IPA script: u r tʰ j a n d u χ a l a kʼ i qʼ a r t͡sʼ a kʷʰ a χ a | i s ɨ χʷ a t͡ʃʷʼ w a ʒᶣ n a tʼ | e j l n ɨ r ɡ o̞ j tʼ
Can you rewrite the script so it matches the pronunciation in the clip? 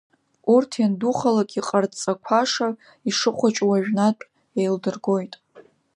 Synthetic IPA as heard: u r tʰ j a n d u χ a l a kʼ i qʼ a r t͡sʼ a kʷʰ a ʂ a | i ʂ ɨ χʷ a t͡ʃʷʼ w a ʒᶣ n a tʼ | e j l d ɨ r ɡ o̞ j tʼ